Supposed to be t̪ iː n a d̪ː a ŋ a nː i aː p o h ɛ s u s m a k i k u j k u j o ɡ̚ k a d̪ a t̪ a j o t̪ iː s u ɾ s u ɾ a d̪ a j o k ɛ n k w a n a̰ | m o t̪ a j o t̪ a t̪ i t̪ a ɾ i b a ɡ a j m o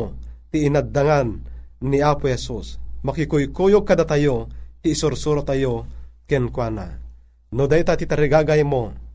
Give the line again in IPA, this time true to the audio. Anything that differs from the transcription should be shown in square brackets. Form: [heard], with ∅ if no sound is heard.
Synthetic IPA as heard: t̪ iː n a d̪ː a ŋ a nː i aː p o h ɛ s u s m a k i k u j k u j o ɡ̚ k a d̪ a t̪ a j o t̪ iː s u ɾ s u ɾ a [t̪] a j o k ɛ n k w a n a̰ | [n] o [d̪] a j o t̪ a t̪ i t̪ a ɾ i [ɡ] a ɡ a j m o